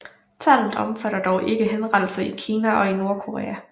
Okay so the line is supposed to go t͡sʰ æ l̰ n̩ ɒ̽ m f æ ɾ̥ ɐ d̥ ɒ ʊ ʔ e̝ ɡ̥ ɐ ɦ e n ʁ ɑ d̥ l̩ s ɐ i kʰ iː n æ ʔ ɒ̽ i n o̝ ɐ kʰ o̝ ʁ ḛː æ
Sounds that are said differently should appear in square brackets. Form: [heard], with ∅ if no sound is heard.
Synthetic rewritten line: t͡sʰ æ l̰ n̩ ɒ̽ m f æ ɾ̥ ɐ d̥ ɒ ʊ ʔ e̝ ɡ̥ [ə] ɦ e n ʁ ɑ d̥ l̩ s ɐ i kʰ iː n æ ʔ ɒ̽ i n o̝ ɐ kʰ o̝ ʁ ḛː æ